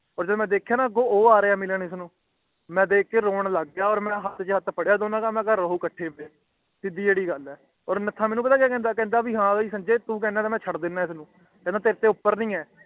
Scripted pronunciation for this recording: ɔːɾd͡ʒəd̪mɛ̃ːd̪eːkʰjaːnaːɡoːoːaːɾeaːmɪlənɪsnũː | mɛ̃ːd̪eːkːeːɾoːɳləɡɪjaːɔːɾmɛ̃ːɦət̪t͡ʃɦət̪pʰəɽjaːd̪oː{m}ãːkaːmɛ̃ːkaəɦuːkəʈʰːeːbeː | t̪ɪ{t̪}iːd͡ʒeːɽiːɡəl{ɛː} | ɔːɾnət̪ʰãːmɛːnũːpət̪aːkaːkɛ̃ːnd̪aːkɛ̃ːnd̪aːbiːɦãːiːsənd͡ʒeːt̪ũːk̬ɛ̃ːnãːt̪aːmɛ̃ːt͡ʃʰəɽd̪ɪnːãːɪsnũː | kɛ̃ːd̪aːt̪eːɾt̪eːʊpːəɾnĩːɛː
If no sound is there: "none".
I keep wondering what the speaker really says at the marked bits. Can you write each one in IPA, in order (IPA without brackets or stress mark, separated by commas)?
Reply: n, d̪, ɛː